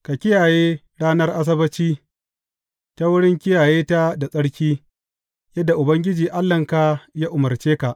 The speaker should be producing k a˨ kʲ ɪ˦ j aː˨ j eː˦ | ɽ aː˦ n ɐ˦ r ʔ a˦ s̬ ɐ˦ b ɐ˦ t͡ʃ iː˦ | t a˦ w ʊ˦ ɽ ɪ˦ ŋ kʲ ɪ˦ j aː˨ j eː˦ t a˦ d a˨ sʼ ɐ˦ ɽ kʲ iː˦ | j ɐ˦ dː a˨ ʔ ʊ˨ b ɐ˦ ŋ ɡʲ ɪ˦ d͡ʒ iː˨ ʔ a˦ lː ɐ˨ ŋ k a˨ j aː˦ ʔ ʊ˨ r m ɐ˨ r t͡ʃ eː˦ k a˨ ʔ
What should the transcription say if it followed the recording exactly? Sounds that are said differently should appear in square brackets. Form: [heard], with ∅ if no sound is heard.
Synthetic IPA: k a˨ kʲ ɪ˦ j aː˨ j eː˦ | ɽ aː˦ n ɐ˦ r ʔ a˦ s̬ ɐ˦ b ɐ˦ t͡ʃ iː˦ | t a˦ w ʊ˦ ɽ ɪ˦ ŋ kʲ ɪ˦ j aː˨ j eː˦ t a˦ d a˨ sʼ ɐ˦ ɽ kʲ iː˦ | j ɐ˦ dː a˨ ʔ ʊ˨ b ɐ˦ ŋ ɡʲ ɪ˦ d͡ʒ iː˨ ʔ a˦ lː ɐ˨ ŋ k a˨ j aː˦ ʔ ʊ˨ [∅] m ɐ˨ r t͡ʃ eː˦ k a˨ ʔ